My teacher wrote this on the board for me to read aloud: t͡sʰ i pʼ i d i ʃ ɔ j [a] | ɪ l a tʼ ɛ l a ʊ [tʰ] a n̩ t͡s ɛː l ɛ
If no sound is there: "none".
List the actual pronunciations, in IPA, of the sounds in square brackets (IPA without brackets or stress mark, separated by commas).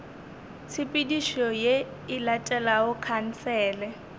e, kʰ